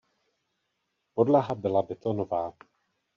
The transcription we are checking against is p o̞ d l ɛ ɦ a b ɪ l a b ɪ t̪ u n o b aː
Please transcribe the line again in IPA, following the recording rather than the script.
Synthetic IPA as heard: p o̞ d l a ɦ a b ɪ l a b ɪ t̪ o n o v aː